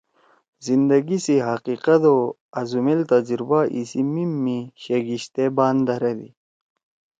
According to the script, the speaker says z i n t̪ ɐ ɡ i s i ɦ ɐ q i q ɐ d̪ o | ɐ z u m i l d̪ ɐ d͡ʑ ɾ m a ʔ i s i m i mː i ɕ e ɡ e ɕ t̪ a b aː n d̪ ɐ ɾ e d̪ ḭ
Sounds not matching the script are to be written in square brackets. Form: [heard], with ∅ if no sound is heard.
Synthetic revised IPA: z i n [d̪] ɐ ɡ i s i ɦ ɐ q i q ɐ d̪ o | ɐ z u m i l [t̪] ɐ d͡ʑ ɾ [b] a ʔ i s i m i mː i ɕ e ɡ [i] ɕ t̪ [e] b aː n d̪ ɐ ɾ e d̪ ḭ